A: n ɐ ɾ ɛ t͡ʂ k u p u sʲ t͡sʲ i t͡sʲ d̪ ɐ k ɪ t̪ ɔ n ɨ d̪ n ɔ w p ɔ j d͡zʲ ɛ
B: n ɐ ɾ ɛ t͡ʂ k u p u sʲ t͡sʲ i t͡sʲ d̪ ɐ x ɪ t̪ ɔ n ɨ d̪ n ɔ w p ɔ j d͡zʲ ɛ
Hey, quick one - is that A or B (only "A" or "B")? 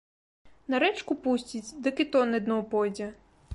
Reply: A